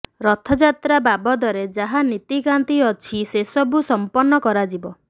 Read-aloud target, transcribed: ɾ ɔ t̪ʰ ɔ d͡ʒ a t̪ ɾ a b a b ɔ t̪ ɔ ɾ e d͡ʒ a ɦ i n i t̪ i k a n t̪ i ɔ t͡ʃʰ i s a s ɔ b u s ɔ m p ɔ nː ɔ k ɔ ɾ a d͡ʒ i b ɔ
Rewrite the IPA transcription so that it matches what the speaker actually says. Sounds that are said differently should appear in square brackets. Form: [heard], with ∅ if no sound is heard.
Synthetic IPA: ɾ ɔ t̪ʰ ɔ d͡ʒ a t̪ ɾ a b a b ɔ [d̪] ɔ ɾ e d͡ʒ a ɦ [a] n i t̪ i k a n t̪ i ɔ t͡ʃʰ i s [e] s ɔ b u s ɔ m p ɔ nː ɔ k ɔ ɾ a d͡ʒ i b ɔ